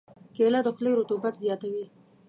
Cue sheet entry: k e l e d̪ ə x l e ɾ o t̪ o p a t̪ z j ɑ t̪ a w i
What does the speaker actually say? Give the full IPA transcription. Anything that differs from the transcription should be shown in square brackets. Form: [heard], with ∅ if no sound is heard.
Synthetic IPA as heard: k e l [a] d̪ ə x l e ɾ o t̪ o [b] a t̪ z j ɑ t̪ a w i